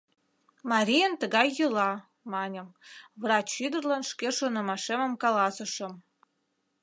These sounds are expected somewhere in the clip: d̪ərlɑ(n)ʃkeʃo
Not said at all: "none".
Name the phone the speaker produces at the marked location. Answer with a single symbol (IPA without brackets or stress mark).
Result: n